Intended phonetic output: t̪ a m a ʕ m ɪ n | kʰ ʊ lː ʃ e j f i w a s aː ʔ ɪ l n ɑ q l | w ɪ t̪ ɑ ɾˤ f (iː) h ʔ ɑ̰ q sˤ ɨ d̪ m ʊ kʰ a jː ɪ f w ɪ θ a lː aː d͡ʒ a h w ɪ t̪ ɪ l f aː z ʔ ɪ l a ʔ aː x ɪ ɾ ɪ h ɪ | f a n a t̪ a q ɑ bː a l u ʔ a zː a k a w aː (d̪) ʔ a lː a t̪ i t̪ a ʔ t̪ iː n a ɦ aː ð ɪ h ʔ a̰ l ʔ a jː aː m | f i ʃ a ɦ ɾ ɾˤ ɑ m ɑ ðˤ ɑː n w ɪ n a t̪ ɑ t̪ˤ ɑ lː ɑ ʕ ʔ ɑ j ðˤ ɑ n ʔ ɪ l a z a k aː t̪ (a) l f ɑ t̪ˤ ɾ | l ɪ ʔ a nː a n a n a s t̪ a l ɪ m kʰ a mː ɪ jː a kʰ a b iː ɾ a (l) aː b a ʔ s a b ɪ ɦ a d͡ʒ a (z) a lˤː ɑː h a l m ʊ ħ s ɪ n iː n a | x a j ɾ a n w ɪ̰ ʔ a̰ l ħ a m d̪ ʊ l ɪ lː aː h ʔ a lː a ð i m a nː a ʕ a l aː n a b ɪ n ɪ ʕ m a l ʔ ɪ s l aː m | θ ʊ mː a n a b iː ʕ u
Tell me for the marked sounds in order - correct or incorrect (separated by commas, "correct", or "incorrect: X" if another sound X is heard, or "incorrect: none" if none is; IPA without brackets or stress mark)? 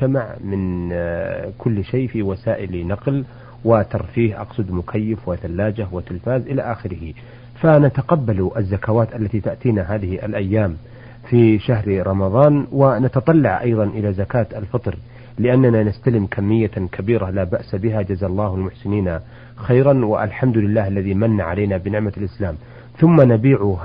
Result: correct, incorrect: t̪, correct, correct, correct